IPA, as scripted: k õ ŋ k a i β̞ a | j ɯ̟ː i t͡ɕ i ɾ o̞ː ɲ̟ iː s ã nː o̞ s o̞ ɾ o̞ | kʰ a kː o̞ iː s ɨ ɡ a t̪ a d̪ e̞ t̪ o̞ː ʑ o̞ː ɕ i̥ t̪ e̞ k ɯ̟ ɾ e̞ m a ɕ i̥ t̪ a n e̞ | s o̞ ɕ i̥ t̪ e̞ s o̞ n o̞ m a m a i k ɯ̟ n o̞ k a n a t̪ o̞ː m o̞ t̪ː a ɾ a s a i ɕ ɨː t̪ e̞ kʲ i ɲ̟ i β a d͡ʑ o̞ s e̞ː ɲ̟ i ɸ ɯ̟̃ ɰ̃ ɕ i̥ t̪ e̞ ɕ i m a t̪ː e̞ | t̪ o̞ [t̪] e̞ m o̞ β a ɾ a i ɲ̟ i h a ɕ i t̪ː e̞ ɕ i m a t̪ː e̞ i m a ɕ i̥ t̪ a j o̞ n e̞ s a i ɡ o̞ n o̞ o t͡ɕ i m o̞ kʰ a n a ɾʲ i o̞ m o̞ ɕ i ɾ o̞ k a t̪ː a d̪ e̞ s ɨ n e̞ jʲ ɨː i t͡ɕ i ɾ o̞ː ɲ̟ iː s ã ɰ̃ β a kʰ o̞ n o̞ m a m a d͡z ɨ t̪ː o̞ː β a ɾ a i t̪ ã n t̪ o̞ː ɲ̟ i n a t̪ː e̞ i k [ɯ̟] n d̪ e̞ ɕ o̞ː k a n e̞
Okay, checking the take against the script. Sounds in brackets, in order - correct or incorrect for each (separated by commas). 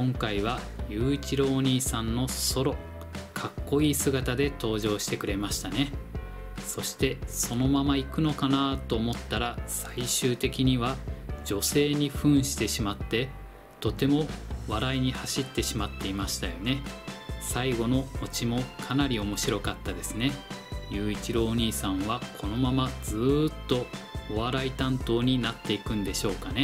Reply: correct, incorrect